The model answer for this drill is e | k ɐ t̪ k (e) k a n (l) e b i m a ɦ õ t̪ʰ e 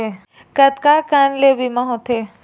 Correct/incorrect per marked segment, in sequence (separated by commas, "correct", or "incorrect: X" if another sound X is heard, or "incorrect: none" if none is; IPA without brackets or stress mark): incorrect: a, correct